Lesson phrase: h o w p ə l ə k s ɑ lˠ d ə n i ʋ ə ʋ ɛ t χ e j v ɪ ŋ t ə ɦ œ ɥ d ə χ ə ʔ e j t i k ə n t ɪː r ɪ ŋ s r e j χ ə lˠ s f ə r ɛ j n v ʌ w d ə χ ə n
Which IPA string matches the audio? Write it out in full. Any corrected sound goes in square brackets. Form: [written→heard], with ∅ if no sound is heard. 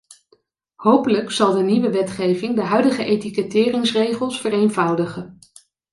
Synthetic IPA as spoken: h o w p ə l ə k s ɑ lˠ d ə n i ʋ ə ʋ ɛ t χ e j v ɪ ŋ [t→d] ə ɦ œ ɥ d ə χ ə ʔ e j t i k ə [n→∅] t ɪː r ɪ ŋ s r e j χ ə lˠ s f ə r [ɛ→e] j n v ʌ w d ə χ ə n